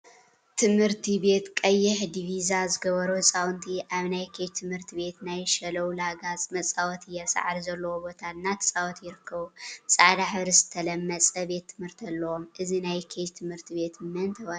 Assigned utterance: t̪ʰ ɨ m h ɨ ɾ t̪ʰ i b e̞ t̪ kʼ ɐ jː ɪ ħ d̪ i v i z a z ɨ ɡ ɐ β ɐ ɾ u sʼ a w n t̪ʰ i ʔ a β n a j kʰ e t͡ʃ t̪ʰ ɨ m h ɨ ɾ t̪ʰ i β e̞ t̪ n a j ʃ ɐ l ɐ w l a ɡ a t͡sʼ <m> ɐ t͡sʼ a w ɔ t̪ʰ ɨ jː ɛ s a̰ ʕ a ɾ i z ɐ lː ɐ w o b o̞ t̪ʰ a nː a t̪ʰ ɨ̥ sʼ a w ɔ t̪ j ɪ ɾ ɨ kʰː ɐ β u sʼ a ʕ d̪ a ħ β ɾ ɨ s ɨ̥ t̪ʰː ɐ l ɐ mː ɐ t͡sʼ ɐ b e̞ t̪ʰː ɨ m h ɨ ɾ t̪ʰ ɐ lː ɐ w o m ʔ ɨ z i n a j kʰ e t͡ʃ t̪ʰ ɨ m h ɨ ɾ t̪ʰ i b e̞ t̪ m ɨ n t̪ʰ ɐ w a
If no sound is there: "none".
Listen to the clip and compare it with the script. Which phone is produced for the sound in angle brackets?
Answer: m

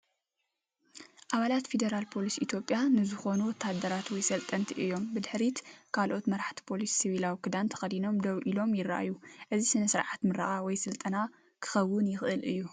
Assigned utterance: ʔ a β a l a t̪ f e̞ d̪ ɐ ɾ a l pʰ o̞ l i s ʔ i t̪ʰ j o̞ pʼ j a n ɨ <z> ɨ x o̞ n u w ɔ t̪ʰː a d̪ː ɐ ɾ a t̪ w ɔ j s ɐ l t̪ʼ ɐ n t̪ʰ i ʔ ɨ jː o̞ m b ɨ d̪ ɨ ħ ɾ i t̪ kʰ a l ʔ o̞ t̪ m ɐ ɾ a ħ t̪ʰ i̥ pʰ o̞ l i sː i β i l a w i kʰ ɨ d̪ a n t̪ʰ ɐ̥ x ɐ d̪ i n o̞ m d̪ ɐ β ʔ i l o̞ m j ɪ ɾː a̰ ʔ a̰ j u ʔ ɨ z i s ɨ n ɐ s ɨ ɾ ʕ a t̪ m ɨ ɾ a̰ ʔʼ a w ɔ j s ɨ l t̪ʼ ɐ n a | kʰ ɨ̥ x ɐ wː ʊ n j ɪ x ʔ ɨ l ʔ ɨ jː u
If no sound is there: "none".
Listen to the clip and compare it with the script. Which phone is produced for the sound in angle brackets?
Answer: z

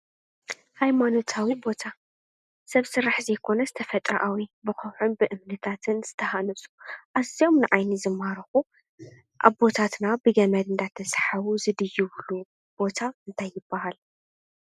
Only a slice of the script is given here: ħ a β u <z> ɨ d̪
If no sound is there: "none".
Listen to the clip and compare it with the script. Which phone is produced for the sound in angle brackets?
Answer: z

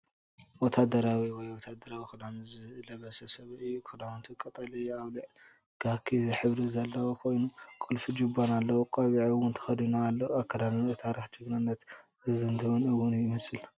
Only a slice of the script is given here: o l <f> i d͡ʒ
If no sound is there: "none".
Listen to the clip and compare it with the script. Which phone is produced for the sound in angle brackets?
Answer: f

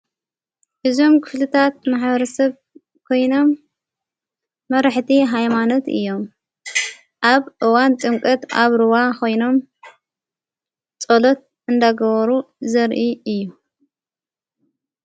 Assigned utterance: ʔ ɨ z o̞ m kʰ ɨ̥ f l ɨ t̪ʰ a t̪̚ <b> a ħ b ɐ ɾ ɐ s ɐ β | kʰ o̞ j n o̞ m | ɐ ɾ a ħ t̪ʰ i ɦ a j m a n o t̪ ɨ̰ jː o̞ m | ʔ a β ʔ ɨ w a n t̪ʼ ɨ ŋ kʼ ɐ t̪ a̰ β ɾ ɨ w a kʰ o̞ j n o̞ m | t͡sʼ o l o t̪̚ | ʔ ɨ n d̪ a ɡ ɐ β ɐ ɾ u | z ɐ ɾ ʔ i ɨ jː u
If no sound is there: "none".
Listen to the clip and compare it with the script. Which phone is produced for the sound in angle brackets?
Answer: m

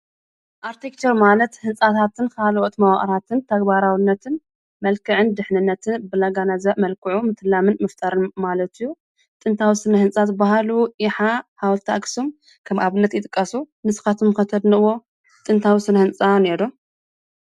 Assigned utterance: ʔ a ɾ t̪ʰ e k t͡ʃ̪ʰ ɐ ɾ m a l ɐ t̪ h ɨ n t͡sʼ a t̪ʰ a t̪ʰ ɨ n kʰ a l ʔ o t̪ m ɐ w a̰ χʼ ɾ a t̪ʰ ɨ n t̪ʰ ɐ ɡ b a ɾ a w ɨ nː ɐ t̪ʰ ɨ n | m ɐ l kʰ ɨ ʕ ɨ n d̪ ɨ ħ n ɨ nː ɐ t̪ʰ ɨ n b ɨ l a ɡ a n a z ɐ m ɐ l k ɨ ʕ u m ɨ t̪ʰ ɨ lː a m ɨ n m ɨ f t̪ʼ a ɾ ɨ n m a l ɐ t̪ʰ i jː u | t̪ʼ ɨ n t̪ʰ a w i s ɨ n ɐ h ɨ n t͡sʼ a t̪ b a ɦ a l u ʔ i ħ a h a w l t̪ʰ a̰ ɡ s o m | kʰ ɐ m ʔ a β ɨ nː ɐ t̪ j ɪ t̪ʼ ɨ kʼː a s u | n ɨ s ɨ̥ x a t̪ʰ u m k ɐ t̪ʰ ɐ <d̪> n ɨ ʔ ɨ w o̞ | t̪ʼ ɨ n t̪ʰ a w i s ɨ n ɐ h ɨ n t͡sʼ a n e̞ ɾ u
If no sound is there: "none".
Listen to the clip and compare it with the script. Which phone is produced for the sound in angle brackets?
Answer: d̪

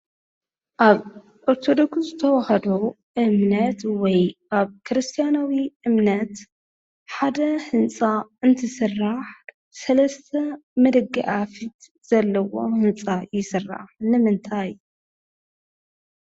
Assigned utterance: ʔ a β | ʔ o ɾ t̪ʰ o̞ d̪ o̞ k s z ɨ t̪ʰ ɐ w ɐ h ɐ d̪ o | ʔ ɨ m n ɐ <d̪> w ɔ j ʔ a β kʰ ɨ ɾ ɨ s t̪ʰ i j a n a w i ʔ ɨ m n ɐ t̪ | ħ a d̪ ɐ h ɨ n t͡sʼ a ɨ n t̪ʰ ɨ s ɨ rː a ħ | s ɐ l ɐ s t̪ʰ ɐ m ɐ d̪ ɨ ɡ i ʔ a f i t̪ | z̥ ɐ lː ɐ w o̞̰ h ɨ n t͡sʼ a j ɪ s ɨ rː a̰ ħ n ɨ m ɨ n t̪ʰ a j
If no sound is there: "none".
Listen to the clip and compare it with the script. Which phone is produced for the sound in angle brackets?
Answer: t̪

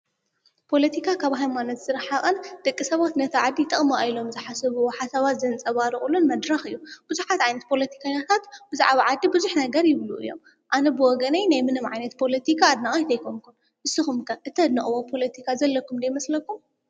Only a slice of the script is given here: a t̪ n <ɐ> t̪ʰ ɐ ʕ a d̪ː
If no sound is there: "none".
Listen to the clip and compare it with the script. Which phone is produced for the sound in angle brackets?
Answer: ɐ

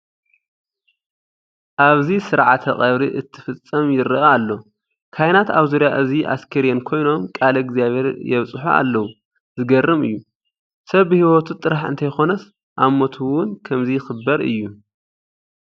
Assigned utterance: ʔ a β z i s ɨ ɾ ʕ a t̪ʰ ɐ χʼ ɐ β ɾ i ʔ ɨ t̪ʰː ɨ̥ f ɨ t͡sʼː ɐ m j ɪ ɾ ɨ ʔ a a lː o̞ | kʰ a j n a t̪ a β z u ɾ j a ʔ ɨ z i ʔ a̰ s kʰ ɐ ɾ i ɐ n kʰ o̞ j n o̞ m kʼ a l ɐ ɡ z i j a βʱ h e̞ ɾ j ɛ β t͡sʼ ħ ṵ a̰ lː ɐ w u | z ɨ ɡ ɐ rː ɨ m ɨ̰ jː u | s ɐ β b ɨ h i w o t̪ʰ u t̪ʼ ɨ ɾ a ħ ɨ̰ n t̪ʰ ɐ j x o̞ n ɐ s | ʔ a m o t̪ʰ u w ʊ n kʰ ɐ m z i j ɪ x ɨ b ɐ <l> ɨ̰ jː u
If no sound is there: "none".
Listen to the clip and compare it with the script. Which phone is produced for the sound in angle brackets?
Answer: ɾ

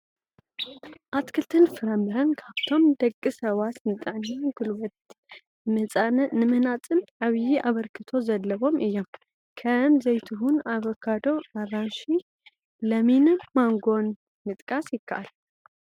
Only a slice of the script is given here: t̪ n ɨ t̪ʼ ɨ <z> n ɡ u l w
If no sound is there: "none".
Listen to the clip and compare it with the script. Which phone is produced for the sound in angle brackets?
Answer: ʕ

